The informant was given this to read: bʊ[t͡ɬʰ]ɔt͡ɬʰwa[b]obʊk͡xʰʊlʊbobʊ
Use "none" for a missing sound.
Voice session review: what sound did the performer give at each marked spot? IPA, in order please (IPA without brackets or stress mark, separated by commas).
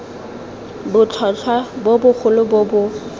t͡ɬʰ, b